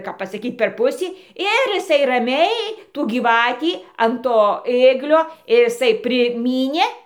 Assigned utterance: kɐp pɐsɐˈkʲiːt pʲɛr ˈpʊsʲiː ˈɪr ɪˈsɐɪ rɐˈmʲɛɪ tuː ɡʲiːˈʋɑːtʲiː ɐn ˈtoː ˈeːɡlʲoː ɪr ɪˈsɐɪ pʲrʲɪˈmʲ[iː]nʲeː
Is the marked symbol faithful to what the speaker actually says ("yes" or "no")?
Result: yes